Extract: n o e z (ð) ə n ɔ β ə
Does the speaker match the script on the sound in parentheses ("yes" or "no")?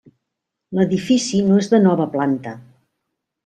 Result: yes